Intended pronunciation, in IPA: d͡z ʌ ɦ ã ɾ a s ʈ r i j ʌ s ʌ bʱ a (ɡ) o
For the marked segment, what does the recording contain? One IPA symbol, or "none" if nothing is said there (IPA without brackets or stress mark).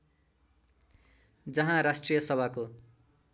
k